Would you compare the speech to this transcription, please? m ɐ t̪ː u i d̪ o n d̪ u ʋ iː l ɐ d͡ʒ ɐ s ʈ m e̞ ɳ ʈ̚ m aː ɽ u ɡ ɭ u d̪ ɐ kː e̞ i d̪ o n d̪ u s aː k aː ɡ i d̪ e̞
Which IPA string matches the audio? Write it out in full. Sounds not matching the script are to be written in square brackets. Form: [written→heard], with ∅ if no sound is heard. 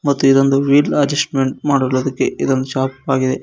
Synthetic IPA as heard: m ɐ t̪ː u i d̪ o n d̪ u ʋ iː l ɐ d͡ʒ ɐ s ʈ m e̞ ɳ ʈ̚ m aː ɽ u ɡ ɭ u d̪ ɐ kː e̞ i d̪ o n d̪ u [s→ʃ] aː [k→p] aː ɡ i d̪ e̞